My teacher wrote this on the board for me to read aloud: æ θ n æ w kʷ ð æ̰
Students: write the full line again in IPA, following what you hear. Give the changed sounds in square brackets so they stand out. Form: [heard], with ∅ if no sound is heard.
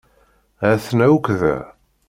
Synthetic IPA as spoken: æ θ n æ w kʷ ð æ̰